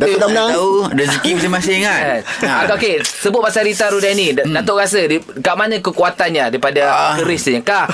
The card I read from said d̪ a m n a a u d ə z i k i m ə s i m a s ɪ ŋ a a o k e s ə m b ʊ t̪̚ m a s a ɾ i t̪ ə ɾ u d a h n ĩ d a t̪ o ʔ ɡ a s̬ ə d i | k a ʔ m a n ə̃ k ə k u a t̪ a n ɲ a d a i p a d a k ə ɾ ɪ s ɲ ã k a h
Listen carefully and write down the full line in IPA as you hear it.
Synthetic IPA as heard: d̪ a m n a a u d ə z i k i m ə s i m a s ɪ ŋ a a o k e s ə b ʊ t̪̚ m a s a ɾ i t̪ a ɾ u d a n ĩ d a t̪ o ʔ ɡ a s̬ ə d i | k a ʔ m a n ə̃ k ə k u a t̪ a n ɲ a d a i p a d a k ə ɾ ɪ s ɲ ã k a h